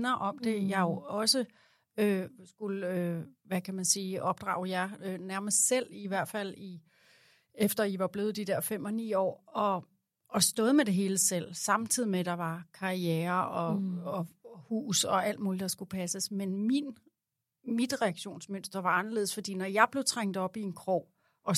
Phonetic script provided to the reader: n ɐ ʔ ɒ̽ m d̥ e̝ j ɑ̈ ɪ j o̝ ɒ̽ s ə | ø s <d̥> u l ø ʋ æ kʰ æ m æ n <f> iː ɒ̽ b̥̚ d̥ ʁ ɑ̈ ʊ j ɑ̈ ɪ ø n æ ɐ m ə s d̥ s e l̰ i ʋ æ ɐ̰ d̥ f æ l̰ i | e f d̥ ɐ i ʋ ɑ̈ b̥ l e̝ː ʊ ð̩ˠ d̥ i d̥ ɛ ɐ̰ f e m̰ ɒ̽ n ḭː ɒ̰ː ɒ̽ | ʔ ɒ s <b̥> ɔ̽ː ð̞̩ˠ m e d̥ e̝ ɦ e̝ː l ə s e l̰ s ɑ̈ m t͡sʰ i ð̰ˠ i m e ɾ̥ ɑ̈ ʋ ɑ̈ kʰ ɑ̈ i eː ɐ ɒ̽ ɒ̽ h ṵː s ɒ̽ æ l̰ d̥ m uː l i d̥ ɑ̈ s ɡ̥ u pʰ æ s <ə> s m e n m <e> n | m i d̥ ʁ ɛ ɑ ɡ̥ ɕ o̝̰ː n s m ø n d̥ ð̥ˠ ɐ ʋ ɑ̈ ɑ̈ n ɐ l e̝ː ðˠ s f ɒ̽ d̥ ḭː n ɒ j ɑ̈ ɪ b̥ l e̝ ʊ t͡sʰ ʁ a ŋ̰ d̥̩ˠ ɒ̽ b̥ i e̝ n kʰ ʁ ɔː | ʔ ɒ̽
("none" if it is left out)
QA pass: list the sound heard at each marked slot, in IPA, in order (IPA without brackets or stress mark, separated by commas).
ɡ̥, s, d̥, ə, i